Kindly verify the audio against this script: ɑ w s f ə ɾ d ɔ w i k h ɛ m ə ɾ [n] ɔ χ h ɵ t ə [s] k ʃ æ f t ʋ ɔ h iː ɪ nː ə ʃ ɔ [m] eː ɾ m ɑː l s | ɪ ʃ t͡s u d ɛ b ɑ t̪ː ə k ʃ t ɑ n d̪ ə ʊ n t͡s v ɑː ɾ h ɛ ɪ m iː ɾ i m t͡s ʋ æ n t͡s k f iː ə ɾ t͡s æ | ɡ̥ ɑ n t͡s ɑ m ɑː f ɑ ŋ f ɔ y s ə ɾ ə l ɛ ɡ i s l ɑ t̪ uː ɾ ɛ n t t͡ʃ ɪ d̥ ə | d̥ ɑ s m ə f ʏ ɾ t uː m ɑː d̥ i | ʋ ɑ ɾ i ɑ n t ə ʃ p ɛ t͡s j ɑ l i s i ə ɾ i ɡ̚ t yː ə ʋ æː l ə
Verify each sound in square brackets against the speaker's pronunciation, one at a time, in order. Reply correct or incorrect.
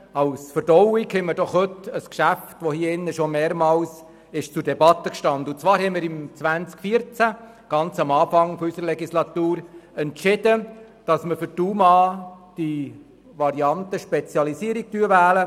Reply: incorrect, correct, correct

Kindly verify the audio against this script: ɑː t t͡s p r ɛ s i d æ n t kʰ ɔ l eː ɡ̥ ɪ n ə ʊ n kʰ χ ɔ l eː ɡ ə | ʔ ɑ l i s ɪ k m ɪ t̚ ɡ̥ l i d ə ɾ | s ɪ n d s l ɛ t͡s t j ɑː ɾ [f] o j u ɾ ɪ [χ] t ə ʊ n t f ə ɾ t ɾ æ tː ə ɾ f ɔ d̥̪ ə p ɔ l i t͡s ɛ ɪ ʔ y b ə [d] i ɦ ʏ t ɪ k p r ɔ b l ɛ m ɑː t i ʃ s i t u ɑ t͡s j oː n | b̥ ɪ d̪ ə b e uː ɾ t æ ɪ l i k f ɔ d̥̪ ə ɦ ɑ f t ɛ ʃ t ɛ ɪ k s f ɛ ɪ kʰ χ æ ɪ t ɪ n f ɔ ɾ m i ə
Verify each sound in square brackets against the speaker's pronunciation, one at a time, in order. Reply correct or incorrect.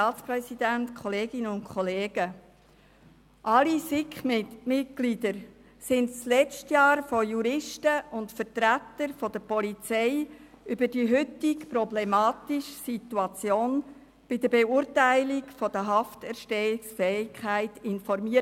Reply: correct, incorrect, correct

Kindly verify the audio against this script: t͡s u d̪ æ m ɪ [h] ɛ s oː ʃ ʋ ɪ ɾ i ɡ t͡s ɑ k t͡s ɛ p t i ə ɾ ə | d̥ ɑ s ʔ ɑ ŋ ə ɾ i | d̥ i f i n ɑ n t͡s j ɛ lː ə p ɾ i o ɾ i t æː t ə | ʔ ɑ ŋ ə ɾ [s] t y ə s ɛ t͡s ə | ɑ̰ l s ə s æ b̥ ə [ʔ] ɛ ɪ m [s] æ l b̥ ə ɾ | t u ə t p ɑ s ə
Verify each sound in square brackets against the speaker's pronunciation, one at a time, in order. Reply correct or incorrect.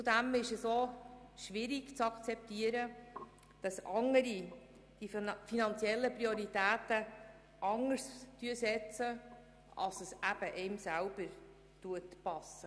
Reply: incorrect, correct, correct, correct

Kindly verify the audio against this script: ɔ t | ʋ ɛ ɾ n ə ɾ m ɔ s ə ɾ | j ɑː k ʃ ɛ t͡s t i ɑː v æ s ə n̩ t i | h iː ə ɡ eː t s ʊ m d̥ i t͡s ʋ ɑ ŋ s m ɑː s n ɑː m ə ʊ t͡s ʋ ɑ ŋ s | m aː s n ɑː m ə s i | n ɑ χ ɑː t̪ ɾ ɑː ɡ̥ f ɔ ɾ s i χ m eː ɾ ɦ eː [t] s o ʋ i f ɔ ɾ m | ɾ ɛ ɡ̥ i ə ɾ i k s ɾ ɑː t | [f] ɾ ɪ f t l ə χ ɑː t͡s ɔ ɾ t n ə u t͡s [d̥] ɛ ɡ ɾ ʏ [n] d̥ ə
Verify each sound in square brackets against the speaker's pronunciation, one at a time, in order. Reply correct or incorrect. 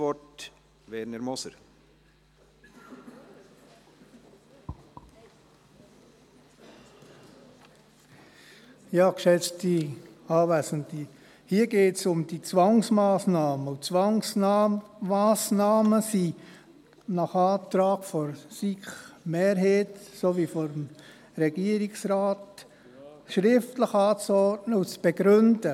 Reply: correct, incorrect, incorrect, correct

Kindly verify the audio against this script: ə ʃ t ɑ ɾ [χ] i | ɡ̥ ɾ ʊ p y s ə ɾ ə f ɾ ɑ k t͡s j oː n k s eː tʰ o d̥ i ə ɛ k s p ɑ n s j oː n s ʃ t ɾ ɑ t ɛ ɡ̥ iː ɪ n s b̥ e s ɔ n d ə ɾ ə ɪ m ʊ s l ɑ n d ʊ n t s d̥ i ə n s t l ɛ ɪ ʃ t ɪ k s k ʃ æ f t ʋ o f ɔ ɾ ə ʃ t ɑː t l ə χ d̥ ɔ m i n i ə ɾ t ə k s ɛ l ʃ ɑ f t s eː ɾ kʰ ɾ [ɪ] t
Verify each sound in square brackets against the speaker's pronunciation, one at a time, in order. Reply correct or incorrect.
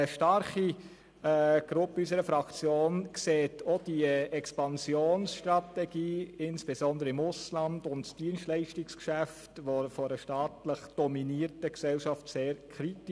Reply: correct, incorrect

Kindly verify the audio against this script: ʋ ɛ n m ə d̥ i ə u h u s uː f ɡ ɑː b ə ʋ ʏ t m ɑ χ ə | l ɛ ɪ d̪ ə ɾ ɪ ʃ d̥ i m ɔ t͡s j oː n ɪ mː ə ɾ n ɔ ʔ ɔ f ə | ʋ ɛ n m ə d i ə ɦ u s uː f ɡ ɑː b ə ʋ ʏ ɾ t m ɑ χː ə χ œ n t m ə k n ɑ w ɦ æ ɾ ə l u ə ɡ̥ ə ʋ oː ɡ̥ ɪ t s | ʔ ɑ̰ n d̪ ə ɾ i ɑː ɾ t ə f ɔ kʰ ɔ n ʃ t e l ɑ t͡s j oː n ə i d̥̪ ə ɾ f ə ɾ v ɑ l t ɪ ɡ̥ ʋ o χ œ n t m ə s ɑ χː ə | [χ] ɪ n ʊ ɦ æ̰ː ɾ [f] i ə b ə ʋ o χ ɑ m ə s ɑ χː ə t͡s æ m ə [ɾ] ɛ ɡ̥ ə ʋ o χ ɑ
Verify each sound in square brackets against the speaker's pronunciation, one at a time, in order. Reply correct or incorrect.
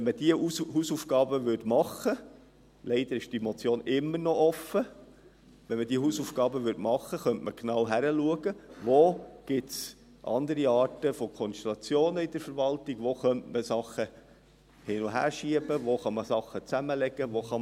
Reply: incorrect, incorrect, incorrect

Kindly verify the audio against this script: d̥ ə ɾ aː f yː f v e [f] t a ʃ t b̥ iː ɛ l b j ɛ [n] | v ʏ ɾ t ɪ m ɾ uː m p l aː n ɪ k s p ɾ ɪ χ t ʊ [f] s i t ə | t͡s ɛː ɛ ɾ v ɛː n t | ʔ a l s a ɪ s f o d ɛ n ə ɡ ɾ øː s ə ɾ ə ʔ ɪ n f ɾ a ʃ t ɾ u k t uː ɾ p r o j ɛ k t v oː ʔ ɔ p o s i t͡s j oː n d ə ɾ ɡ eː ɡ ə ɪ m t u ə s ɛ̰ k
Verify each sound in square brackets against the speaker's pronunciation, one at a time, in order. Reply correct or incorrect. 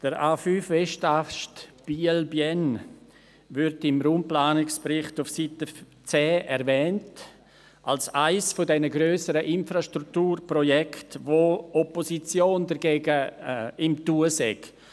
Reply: incorrect, correct, correct

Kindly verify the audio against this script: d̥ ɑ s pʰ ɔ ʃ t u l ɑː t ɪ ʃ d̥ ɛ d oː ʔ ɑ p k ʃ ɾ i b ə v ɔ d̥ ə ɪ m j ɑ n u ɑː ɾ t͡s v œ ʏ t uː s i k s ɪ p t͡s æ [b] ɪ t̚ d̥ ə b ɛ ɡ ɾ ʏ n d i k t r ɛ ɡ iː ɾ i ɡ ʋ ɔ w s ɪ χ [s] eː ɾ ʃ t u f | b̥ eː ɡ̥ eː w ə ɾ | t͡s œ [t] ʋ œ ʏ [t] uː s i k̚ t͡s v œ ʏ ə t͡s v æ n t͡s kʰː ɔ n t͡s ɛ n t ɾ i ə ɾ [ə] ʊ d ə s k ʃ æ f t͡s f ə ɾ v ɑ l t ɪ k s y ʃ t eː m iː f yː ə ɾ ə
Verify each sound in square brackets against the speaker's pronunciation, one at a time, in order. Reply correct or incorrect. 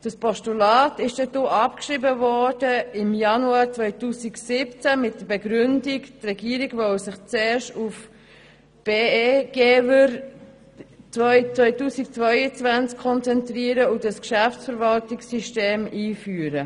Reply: incorrect, incorrect, incorrect, correct, correct

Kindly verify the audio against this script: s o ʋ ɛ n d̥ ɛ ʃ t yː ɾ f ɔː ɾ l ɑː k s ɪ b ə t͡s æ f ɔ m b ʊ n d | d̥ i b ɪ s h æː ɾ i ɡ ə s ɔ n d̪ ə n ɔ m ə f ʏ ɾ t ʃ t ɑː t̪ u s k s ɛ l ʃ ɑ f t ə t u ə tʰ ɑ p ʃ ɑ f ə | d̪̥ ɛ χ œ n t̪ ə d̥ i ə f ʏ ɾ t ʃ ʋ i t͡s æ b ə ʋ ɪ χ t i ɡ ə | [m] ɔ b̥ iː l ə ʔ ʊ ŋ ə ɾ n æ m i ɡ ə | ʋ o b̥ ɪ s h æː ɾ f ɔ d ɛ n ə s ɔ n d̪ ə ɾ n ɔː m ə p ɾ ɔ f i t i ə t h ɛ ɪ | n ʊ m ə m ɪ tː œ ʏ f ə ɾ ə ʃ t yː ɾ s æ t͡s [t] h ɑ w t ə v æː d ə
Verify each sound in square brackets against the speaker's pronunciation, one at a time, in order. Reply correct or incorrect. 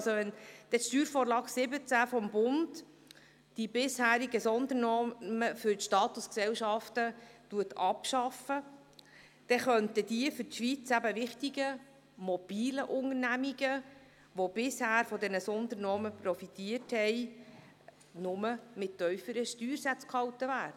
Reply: correct, incorrect

